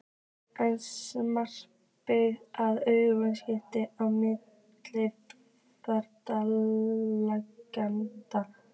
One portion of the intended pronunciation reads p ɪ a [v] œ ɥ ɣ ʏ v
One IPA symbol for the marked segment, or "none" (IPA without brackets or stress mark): ð